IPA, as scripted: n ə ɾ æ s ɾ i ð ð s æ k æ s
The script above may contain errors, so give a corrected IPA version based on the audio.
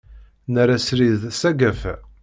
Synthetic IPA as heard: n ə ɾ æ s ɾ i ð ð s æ ɡ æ f

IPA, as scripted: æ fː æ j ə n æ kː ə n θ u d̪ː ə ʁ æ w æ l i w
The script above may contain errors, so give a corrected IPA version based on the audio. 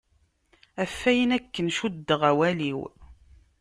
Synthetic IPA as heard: æ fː æ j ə n æ kː ə n ʃ u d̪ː ə ʁ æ w æ l i w

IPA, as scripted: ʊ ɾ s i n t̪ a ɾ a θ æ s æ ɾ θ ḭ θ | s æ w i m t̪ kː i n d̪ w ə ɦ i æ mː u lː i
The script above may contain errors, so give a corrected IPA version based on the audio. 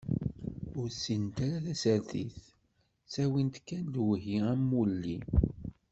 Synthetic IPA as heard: ʊ ɾ s i n t̪ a ɾ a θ æ s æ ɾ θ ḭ θ | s æ w i n t̪ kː æ n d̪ w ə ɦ i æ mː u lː i

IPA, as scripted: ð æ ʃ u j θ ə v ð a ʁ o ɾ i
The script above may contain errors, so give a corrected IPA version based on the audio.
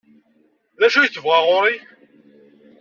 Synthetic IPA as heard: ð æ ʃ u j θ ə v ʁ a ʁ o ɾ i

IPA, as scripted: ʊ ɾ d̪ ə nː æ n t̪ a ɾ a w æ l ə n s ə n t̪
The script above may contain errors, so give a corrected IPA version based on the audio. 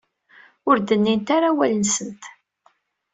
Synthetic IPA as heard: ʊ ɾ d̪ ə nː i n t̪ a ɾ a w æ l ə n s ə n t̪

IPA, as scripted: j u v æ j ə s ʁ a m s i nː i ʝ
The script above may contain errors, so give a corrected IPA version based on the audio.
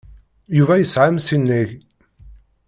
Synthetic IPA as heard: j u v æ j ə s ʕ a m s i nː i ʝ

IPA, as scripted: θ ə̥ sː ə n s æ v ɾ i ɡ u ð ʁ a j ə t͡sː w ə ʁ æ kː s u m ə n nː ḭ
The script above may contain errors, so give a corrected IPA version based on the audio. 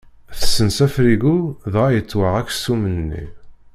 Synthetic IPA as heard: θ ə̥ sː ə n s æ f ɾ i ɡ u ð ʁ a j ə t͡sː w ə ʁ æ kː s u m ə n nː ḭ

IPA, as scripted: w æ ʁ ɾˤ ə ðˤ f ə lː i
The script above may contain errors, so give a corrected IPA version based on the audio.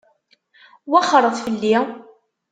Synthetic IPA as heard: w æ χ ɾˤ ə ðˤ f ə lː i

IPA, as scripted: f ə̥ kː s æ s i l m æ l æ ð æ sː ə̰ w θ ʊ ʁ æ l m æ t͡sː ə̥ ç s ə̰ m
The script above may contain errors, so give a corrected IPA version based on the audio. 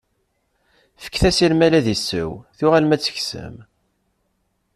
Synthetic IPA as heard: f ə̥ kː θ æ s i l m æ l æ ð i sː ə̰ w θ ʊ ʁ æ l m æ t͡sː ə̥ ç s ə̰ m

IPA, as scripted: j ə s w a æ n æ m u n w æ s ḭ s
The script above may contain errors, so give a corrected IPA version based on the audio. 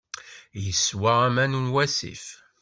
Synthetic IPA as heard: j ə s w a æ m æ n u n w æ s ḭ f

